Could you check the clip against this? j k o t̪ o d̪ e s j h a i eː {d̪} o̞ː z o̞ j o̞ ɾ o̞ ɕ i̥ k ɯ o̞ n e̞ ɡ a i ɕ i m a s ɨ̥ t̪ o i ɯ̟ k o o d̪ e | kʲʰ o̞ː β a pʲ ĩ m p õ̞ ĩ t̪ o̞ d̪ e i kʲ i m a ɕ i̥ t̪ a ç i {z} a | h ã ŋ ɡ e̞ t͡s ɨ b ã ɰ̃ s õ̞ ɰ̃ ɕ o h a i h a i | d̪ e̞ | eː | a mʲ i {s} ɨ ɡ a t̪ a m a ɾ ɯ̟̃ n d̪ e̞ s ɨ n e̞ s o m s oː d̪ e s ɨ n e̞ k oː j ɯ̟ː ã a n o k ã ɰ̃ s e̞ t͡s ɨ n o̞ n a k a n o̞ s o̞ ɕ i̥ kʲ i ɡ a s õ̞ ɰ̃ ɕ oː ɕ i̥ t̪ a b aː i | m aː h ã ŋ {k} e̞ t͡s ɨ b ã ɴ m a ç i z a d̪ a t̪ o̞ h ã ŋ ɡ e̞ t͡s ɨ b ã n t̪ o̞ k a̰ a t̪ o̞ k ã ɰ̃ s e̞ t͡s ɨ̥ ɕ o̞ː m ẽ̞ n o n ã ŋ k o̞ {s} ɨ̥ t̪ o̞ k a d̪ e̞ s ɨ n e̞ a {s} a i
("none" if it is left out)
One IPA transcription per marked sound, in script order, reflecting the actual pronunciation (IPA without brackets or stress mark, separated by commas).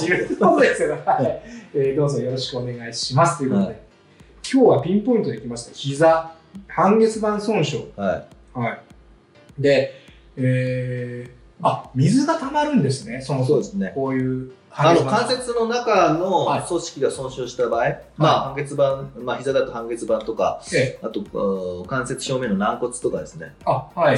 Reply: d̪, z, z, ɡ, t͡s, h